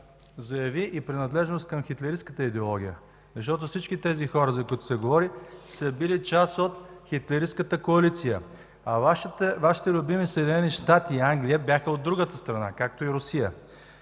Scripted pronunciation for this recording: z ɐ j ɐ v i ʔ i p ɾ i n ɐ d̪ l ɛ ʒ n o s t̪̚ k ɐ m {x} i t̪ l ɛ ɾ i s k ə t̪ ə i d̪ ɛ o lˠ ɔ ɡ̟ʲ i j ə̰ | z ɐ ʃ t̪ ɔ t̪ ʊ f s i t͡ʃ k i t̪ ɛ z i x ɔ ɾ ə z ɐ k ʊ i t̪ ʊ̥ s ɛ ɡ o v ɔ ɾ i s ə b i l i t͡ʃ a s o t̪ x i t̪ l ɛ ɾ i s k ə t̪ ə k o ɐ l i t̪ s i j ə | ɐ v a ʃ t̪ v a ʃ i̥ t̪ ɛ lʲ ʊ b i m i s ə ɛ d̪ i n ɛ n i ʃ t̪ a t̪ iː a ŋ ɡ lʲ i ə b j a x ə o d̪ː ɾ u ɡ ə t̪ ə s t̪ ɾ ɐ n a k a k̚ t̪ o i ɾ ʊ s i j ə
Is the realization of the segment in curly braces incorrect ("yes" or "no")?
no